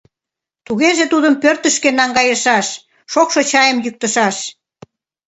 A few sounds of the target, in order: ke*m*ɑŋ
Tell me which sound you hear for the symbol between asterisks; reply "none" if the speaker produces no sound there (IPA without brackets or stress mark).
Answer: n